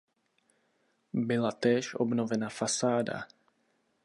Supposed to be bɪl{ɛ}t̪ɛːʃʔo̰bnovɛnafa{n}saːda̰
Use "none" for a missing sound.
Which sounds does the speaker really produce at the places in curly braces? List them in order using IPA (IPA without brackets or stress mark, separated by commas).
a, none